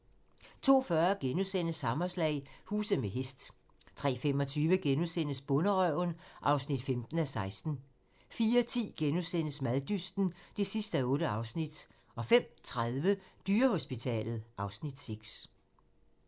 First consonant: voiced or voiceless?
voiceless